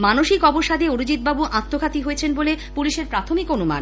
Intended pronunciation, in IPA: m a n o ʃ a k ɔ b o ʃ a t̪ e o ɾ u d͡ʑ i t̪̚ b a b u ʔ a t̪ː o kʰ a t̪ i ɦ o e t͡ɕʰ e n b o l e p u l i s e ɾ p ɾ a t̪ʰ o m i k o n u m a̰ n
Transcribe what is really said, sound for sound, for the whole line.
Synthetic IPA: m a n o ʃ i k ɔ b o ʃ a d̪ e o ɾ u d͡ʑ i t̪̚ b a b u ʔ a t̪ː o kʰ a t̪ i ɦ o e t͡ɕʰ e n b o l e p u l i ʃ e ɾ p ɾ a t̪ʰ o m i k o n u m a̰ n

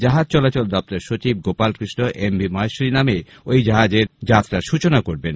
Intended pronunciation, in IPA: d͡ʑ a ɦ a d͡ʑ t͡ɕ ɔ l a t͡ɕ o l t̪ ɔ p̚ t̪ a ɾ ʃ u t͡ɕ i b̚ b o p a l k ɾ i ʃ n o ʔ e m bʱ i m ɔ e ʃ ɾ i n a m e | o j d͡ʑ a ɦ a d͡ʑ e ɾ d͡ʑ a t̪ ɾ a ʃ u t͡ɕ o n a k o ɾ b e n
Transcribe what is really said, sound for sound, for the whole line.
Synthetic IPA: d͡ʑ a ɦ a d͡ʑ t͡ɕ ɔ l a t͡ɕ o l d̪ ɔ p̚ t̪ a ɾ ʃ o t͡ɕ i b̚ ɡ o p a l k ɾ i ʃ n o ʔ e m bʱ i m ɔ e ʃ ɾ i n a m e | o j d͡ʑ a ɦ a d͡ʑ e ɾ d͡ʑ a t̪ ɾ a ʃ u t͡ɕ o n a k o ɾ b e n

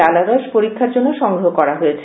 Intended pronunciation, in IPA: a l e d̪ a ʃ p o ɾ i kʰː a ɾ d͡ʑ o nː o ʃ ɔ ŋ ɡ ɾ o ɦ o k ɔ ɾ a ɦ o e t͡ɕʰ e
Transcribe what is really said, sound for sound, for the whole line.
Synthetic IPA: a l a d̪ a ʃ p o ɾ i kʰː a ɾ d͡ʑ o nː o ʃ ɔ ŋ ɡ ɾ o ɦ o k ɔ ɾ a ɦ o e t͡ɕʰ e

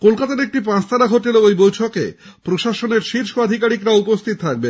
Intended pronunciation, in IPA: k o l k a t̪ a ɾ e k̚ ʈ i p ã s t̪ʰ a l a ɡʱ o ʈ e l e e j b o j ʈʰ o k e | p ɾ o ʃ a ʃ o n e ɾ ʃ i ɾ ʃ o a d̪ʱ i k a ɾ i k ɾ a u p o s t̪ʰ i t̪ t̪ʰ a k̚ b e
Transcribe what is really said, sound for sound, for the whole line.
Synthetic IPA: k o l k a t̪ a ɾ e k̚ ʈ i p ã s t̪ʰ a ɾ a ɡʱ o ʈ e l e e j b o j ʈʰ o k e | p ɾ o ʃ a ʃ o n e ɾ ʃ i ɾ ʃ o a d̪ʱ i k a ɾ i k ɾ a u p o s t̪ʰ i t̪ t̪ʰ a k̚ b e

